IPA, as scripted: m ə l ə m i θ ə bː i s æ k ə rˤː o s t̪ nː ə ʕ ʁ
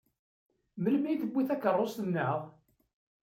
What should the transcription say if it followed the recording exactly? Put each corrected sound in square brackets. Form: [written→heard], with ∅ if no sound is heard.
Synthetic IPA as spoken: m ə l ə m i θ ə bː i [s→θ] æ k ə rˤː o s t̪ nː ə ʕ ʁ